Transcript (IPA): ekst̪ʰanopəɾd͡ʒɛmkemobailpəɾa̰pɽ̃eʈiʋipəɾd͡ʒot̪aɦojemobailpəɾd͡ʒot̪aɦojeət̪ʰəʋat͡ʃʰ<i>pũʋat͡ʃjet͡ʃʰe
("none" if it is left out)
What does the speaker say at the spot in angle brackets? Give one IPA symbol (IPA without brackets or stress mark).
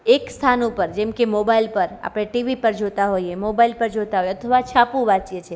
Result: a